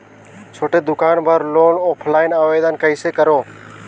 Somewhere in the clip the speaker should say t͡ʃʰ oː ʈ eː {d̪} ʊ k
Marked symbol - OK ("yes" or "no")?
yes